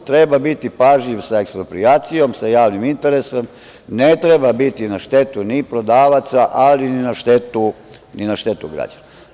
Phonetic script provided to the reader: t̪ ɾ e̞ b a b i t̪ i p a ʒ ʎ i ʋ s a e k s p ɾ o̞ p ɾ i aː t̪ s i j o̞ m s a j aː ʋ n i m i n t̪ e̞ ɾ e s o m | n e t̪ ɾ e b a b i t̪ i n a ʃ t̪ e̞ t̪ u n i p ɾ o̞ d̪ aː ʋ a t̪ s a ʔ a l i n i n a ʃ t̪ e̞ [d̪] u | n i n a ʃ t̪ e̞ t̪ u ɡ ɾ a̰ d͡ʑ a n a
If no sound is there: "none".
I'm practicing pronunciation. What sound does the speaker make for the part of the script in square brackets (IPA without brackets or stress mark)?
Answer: t̪